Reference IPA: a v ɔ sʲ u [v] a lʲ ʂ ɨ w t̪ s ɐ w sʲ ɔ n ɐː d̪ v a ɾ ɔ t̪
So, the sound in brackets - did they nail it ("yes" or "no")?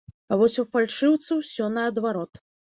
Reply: no